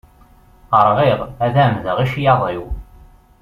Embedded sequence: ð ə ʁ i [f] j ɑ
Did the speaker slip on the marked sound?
yes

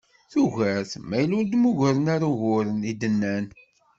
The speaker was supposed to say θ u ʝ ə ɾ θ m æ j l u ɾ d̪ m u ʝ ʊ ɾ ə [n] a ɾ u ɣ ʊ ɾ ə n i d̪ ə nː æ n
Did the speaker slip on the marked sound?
no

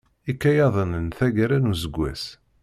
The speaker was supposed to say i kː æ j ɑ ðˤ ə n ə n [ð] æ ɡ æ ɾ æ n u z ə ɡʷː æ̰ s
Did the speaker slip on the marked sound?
yes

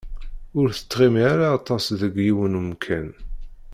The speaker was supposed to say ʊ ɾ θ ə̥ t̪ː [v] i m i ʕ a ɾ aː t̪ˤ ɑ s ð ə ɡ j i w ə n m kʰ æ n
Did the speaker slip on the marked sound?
yes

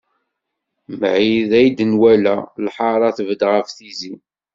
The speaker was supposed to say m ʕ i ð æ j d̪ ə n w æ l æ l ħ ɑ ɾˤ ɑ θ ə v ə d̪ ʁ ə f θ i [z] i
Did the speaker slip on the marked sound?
no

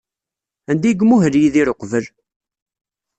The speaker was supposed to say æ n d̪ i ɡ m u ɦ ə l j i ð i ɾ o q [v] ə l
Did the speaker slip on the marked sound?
no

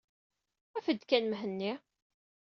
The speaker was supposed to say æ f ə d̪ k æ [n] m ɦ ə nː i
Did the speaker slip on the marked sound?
no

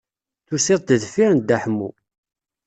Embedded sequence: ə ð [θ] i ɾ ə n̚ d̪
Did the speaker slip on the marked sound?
yes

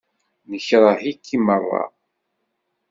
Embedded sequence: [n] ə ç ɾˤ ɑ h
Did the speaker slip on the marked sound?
no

